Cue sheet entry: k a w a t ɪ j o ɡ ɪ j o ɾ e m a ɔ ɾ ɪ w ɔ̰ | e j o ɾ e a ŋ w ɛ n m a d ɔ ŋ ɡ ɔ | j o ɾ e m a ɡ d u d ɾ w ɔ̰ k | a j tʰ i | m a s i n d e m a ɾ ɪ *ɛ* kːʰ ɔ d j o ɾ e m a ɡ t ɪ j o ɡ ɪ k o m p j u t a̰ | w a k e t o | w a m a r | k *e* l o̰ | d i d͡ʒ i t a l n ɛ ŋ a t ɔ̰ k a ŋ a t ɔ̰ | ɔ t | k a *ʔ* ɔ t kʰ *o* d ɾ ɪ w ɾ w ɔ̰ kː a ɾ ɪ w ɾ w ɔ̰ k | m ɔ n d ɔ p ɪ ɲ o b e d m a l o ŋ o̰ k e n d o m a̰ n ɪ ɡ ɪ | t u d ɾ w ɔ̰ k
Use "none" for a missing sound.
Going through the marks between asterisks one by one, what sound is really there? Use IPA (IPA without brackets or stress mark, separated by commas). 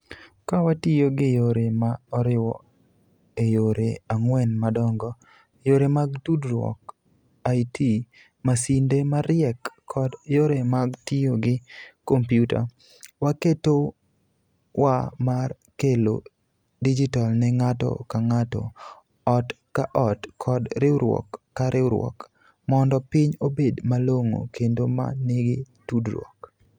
ɛ, e, ʔ, ɔ